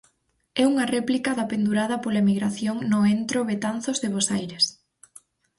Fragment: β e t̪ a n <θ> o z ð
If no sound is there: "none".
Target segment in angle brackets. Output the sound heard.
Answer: θ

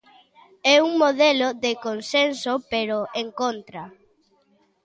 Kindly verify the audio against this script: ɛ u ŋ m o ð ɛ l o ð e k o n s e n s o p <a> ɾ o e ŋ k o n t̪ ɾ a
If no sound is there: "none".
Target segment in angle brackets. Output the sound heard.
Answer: e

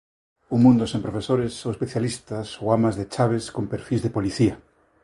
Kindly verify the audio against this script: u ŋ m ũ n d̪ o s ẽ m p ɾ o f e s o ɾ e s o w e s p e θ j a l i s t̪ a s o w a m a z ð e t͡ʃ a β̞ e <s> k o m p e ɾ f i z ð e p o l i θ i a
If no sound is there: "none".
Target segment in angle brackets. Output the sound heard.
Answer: s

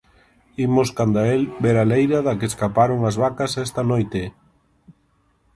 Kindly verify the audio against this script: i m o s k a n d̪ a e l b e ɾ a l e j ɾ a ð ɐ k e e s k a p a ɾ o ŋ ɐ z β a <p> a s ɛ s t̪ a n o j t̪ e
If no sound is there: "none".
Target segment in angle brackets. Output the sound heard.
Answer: k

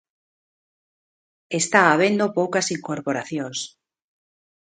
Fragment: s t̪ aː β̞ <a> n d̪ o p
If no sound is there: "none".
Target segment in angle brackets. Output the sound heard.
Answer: e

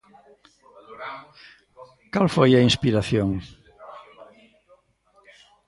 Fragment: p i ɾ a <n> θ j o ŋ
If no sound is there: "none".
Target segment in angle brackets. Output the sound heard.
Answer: none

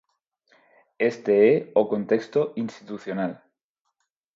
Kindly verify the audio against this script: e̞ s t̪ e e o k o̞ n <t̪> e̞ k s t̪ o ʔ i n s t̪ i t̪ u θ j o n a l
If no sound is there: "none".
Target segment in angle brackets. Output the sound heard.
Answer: t̪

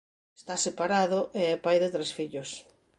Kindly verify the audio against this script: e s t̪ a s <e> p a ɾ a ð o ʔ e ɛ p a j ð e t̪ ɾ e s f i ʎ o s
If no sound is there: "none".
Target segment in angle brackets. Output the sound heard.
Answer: e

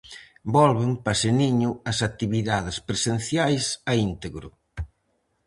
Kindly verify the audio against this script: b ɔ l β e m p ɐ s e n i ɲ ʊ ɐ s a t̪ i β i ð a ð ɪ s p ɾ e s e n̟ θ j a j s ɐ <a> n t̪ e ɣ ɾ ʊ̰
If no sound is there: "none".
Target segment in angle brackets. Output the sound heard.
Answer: i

